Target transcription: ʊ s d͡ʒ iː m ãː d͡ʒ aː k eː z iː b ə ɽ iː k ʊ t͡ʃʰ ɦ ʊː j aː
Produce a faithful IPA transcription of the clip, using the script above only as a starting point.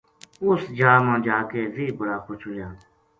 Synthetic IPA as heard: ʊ s d͡ʒ aː m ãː d͡ʒ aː k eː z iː b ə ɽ aː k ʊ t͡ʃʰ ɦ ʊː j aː

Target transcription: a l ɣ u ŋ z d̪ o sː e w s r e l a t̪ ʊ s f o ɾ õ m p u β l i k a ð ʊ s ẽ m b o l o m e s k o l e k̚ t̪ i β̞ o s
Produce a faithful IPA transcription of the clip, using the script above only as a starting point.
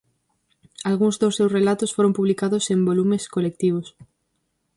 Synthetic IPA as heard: a l ɣ u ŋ z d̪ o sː e w s r e l a t̪ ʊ s f o ɾ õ m p u β l i k a ð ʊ s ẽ m b o l u m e s k o l e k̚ t̪ i β̞ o s

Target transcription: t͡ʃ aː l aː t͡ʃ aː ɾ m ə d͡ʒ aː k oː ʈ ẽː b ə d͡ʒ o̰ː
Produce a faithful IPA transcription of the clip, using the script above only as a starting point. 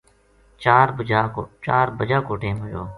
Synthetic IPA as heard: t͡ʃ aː ɾ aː t͡ʃ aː ɾ b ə d͡ʒ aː k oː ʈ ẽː m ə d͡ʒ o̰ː

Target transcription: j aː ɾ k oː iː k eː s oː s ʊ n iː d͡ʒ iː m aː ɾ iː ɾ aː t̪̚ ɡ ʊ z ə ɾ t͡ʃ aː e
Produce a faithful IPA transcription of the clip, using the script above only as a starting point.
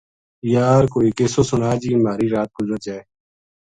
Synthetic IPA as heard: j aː ɾ k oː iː k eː s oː s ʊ n aː d͡ʒ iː m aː ɾ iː ɾ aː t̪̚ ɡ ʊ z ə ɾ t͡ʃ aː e

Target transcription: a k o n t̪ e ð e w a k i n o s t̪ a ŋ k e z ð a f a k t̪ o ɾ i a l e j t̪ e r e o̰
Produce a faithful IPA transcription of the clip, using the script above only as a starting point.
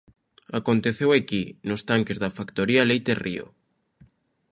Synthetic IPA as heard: a k o n t̪ e θ e w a k i n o s t̪ a ŋ k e z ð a f a k t̪ o ɾ i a l e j t̪ e r i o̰

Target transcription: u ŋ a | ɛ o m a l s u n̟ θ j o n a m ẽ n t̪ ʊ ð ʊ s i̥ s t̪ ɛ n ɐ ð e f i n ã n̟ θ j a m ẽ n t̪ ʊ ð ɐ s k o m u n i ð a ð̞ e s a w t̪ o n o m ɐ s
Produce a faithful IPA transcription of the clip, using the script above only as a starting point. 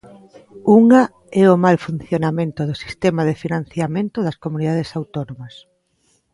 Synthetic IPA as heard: u ŋ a | ɛ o m a l f u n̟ θ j o n a m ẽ n t̪ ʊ ð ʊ s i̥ s t̪ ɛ m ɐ ð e f i n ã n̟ θ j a m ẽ n t̪ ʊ ð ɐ s k o m u n i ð a ð̞ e s a w t̪ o n o m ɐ s

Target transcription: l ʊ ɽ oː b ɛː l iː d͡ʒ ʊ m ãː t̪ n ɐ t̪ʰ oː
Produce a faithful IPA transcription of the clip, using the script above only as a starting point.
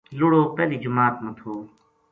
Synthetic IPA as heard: l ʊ ɽ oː p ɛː l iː d͡ʒ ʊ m aː t̪ m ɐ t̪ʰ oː

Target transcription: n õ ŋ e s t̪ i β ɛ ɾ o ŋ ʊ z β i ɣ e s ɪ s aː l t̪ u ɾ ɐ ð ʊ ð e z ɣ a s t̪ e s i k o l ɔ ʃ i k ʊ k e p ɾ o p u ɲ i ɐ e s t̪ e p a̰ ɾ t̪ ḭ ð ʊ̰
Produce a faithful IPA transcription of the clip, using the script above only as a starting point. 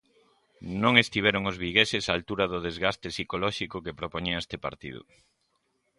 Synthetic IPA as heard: n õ ŋ e s t̪ i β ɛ ɾ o ŋ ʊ z β i ɣ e s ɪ s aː l t̪ u ɾ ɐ ð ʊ ð e z ɣ a s t̪ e s i k o l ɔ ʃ i k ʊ k e p ɾ o p o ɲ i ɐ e s t̪ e p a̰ ɾ t̪ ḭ ð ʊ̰

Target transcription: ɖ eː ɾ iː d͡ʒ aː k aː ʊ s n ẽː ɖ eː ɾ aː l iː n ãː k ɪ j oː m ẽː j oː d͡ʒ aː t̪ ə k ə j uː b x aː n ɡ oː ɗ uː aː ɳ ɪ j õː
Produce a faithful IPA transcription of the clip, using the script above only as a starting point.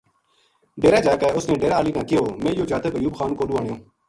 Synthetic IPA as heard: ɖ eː ɾ aː d͡ʒ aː k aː ʊ s n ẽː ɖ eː ɾ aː l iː n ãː k ɪ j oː m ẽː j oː d͡ʒ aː t̪ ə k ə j uː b x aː n k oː ɗ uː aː ɳ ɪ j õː

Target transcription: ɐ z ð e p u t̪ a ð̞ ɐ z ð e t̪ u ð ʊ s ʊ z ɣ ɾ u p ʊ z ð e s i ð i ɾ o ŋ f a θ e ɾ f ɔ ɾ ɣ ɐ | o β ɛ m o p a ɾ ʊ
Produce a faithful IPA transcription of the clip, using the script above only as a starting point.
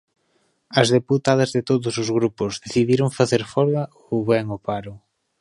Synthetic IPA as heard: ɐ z ð e p u t̪ a ð̞ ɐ z ð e t̪ o ð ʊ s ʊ z ɣ ɾ u p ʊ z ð e θ i ð i ɾ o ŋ f a θ e ɾ f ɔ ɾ ɣ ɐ | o β ɛ ŋ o p a ɾ ʊ

